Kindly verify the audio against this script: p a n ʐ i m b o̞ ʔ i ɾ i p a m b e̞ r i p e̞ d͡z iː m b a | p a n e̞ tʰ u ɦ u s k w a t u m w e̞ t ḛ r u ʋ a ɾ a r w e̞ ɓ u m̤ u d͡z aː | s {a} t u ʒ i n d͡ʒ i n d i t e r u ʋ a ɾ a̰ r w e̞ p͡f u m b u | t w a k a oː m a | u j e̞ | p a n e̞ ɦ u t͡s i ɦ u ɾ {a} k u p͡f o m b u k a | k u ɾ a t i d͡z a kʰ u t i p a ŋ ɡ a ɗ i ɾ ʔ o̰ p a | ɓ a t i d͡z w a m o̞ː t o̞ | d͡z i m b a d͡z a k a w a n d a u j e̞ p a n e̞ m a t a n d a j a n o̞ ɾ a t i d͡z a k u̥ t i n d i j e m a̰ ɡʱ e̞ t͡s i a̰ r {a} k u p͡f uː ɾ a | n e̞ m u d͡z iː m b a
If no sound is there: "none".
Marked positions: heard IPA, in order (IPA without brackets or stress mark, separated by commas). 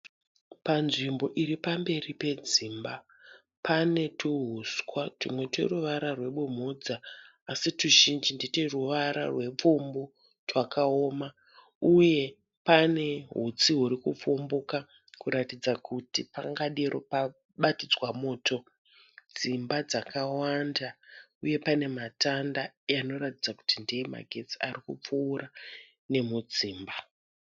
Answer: i, i, i